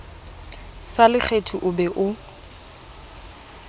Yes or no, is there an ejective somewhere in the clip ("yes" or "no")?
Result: no